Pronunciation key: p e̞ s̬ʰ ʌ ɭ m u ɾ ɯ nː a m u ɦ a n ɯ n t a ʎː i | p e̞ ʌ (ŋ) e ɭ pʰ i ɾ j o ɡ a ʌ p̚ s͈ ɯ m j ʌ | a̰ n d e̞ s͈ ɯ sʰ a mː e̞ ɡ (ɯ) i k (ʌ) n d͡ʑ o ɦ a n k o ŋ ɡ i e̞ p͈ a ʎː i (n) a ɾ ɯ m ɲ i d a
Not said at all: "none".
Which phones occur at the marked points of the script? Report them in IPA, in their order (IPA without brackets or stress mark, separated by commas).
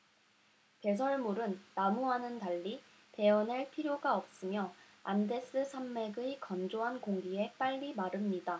n, ɯ, ʌ, m